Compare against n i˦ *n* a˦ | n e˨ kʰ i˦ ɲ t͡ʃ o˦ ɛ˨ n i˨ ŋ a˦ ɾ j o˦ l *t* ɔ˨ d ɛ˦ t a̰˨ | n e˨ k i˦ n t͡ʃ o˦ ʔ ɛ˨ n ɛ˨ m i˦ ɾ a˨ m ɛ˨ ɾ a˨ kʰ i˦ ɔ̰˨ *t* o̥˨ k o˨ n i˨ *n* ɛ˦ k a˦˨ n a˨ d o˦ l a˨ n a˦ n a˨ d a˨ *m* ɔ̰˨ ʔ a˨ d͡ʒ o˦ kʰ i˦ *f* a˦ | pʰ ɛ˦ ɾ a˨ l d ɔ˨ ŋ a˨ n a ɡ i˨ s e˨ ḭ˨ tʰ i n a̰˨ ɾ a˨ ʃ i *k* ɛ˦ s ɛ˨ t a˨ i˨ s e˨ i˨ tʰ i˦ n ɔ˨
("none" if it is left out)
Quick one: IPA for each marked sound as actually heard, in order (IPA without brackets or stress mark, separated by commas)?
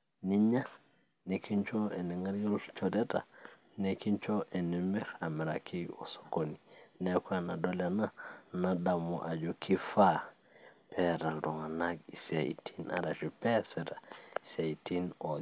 ɲ, t͡ʃ, s, n, m, f, p